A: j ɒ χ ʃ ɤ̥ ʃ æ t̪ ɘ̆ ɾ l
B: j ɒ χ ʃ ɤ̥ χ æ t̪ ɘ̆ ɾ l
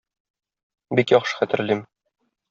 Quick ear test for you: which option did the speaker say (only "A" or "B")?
B